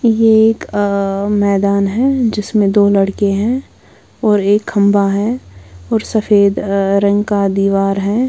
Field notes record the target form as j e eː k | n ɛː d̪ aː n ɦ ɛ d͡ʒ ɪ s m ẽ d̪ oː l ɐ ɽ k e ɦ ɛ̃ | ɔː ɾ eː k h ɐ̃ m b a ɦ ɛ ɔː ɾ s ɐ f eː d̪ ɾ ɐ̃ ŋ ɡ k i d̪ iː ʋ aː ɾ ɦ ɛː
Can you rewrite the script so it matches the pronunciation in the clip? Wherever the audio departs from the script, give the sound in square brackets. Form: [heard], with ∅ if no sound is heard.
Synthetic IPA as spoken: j e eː k | [m] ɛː d̪ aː n ɦ ɛ d͡ʒ ɪ s m ẽ d̪ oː l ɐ ɽ k e ɦ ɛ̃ | ɔː ɾ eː k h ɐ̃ m b a ɦ ɛ ɔː ɾ s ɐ f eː d̪ ɾ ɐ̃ ŋ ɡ k [a] d̪ iː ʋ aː ɾ ɦ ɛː